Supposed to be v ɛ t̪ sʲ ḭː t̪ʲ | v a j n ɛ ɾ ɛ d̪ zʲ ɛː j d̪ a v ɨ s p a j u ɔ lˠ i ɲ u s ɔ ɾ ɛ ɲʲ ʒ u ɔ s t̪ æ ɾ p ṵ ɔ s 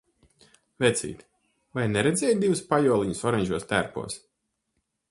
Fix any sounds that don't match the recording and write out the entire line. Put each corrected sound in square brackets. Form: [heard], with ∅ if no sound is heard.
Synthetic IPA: v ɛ t̪ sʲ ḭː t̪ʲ | v a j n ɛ ɾ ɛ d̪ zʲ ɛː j d̪ [i] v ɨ s p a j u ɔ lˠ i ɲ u s ɔ ɾ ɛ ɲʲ ʒ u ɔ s t̪ æ ɾ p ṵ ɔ s